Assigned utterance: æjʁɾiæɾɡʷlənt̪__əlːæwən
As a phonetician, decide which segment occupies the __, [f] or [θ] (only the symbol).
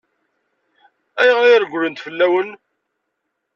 f